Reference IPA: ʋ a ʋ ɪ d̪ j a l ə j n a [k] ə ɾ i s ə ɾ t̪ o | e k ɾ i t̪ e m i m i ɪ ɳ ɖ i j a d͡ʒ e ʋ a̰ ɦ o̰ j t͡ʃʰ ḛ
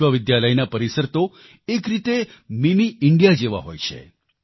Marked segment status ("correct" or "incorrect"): incorrect